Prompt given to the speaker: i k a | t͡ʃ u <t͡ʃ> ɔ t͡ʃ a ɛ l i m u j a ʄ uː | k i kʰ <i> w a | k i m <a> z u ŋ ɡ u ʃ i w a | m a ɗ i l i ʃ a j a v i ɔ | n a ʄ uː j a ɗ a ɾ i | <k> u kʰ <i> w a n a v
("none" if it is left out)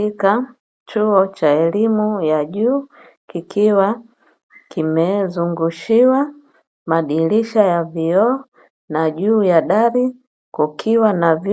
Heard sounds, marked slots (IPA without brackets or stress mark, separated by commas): none, i, ɛ, k, i